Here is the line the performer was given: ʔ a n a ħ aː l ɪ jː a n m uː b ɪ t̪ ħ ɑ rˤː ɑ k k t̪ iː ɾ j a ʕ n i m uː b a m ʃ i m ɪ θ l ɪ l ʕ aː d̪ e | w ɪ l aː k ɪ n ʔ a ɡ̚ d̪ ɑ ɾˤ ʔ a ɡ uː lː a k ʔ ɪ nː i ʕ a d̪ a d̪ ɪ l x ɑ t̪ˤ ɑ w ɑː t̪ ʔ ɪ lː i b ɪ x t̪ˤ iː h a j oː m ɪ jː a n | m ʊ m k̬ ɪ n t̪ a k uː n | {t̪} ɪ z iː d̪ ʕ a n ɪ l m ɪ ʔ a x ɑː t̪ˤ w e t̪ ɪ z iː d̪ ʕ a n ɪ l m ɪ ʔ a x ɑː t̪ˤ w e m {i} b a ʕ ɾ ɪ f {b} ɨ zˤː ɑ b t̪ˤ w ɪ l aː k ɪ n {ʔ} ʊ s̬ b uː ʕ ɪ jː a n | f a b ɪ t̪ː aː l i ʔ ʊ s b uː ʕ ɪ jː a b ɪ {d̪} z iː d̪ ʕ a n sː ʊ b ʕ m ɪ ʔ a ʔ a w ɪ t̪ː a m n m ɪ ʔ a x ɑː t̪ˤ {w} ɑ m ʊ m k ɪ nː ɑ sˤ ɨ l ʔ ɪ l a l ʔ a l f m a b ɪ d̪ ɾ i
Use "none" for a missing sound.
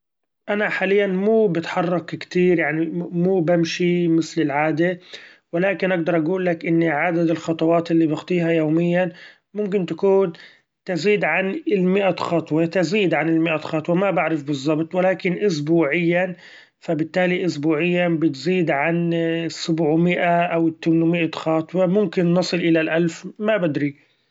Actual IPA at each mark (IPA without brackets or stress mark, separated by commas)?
t̪, a, b, ʔ, t̪, w